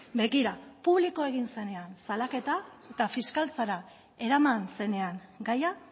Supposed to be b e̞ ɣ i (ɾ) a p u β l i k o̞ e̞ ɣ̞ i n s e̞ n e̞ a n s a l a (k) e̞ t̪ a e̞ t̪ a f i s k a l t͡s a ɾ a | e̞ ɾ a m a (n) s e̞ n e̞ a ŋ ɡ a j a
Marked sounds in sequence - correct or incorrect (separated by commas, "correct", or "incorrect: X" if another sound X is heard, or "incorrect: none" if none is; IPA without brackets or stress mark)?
correct, correct, correct